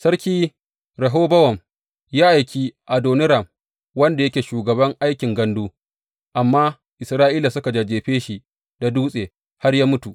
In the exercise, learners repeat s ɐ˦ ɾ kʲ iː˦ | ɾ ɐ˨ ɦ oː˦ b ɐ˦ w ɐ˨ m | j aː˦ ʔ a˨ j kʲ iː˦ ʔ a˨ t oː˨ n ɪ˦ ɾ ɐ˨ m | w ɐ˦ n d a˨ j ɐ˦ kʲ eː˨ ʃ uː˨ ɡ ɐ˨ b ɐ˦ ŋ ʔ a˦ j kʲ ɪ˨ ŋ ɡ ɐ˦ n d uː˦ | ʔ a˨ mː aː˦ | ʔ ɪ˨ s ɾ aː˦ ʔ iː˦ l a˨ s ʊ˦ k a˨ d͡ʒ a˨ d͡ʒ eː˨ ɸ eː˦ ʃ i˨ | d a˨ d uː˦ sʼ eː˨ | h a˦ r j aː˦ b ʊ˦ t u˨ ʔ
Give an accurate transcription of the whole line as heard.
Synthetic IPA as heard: s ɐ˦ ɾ kʲ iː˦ | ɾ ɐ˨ ɦ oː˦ b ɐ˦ w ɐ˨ m | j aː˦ ʔ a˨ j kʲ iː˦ ʔ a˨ d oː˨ n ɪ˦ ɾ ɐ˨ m | w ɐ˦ n d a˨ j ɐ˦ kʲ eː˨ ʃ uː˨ ɡ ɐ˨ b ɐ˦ ŋ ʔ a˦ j kʲ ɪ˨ ŋ ɡ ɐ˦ n d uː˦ | ʔ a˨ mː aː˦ | ʔ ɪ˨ s ɾ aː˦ ʔ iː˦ l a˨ s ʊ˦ k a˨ d͡ʒ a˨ d͡ʒ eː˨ ɸ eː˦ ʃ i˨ | d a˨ d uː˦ sʼ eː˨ | h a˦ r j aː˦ m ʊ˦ t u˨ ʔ

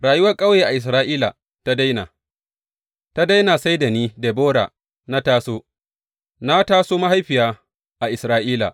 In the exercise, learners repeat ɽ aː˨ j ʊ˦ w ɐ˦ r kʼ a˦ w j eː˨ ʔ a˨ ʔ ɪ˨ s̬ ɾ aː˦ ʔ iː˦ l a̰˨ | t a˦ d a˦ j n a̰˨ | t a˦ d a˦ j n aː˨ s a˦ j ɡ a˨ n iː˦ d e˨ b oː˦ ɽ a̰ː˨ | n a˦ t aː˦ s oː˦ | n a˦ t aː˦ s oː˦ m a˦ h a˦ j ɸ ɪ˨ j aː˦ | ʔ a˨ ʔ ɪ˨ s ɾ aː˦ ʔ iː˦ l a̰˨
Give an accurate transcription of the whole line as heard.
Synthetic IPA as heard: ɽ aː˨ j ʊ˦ w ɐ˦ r kʼ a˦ w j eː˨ ʔ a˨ ʔ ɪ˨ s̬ ɾ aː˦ ʔ iː˦ l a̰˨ | t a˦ d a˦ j n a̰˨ | t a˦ d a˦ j n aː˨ s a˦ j d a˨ n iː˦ d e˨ b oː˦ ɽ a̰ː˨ | n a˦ t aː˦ s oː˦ | n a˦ t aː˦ s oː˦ m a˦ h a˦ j ɸ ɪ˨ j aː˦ | ʔ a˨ ʔ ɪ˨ s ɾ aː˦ ʔ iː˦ l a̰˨

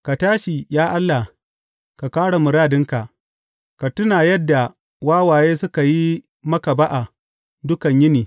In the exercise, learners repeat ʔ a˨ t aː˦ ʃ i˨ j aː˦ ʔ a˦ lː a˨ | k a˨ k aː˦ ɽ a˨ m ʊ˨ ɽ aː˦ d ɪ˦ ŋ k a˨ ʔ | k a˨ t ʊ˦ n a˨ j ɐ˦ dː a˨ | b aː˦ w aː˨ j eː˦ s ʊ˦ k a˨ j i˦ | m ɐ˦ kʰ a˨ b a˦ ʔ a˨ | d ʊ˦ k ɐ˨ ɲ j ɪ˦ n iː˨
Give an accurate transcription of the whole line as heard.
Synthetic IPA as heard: k a˨ t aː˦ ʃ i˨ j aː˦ ʔ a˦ lː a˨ | k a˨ k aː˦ ɽ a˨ m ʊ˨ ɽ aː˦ d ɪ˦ ŋ k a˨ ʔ | k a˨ t ʊ˦ n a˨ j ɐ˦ dː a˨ | w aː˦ w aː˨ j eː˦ s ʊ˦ k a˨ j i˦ | m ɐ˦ k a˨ b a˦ ʔ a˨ | d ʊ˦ k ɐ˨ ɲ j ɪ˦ n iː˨

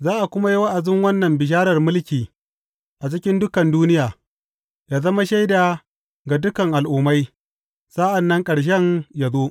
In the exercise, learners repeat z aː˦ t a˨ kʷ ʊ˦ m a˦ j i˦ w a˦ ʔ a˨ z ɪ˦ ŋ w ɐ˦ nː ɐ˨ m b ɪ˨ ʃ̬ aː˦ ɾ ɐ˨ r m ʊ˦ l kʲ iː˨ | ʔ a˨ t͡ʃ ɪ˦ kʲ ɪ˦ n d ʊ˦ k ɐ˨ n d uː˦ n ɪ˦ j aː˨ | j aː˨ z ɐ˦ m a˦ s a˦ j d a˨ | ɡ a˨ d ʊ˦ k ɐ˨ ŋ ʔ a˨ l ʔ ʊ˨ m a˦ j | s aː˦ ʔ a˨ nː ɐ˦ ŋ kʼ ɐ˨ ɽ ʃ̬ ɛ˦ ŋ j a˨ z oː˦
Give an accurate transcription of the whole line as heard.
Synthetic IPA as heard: z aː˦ ʔ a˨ kʷ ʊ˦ m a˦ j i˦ w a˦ ʔ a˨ z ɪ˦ ŋ w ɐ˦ nː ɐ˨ m b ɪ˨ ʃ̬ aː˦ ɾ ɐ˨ r m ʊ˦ l kʲ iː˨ | ʔ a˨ t͡ʃ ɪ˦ kʲ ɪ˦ n d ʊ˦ k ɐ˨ n d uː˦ n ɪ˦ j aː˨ | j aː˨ z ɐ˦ m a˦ ʃ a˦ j d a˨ | ɡ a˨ d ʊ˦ k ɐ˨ ŋ ʔ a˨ l ʔ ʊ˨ m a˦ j | s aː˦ ʔ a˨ nː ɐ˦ ŋ kʼ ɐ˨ ɽ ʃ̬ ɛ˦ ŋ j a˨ z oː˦

